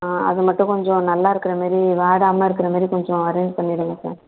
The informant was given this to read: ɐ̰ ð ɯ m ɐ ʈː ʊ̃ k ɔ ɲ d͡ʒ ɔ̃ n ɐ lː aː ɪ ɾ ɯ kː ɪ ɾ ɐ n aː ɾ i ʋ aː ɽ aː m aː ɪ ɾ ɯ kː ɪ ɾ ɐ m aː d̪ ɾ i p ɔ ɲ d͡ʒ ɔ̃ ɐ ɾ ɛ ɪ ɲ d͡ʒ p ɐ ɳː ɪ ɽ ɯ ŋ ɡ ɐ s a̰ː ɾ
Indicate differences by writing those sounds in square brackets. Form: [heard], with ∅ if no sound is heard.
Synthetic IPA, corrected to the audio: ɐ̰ ð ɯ m ɐ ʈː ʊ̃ k ɔ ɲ d͡ʒ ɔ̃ n ɐ lː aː ɪ ɾ ɯ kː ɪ ɾ ɐ [m] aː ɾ i ʋ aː ɽ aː m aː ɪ ɾ ɯ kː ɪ ɾ ɐ m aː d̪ ɾ i [k] ɔ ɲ d͡ʒ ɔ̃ ɐ ɾ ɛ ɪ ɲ d͡ʒ p ɐ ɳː ɪ ɽ ɯ ŋ ɡ ɐ s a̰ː ɾ